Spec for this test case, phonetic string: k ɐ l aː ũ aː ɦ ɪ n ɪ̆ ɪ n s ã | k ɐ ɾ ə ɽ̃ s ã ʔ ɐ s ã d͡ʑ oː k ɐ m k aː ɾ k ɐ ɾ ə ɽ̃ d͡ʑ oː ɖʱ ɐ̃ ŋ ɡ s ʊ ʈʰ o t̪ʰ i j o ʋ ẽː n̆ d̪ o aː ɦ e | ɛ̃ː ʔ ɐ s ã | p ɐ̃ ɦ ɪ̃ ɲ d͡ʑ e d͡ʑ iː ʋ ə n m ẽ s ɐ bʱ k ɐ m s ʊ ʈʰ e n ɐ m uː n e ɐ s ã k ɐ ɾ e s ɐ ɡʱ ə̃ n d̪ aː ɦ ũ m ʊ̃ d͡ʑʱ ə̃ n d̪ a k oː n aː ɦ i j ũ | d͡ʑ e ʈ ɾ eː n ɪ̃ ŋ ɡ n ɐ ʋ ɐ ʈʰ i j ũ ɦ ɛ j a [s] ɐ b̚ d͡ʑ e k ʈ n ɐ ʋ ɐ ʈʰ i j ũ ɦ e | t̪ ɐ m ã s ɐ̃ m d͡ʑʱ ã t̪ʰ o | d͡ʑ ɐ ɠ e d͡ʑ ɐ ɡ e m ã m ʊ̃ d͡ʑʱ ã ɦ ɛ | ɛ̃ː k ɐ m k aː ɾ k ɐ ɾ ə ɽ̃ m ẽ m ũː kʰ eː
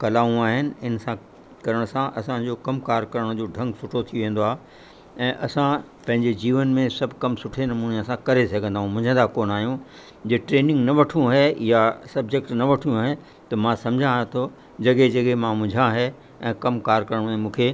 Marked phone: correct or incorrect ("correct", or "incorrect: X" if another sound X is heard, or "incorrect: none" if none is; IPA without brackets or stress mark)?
correct